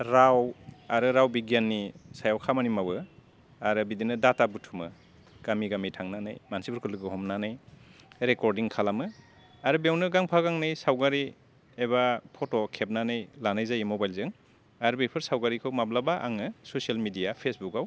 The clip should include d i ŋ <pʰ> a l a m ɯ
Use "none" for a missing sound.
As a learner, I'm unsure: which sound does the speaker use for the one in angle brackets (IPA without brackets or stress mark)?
kʰ